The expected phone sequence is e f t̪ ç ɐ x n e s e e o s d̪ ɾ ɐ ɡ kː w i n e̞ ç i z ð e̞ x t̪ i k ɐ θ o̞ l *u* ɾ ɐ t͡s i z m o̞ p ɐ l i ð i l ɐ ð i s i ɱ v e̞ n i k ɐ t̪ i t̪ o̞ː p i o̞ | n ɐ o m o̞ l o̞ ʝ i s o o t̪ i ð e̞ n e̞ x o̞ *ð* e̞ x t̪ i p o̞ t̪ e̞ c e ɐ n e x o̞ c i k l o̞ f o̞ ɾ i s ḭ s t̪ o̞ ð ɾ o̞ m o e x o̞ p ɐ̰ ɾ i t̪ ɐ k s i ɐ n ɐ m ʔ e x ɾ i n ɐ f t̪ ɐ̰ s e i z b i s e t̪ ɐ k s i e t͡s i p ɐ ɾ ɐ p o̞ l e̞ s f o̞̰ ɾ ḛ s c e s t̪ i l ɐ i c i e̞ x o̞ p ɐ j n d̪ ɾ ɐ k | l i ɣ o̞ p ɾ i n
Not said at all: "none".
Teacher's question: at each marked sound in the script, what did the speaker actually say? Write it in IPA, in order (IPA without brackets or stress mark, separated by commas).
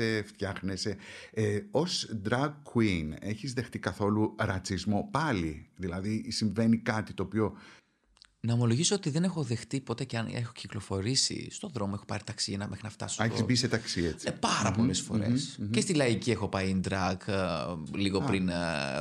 u, ð